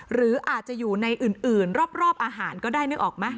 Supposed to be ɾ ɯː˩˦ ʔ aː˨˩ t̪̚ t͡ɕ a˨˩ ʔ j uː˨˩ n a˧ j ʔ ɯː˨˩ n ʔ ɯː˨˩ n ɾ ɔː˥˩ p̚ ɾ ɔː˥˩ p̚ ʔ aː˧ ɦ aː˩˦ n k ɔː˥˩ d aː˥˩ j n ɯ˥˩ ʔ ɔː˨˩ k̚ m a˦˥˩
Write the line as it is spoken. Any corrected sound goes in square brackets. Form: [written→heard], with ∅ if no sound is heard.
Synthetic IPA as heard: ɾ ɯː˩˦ ʔ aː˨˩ t̪̚ t͡ɕ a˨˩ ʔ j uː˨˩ n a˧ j ʔ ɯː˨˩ n ʔ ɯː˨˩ n ɾ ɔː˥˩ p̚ ɾ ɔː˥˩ p̚ ʔ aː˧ ɦ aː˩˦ n k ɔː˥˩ d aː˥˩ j n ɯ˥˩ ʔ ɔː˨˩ k̚ m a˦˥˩